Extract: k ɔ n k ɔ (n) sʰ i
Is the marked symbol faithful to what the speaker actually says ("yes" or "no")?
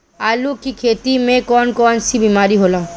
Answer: yes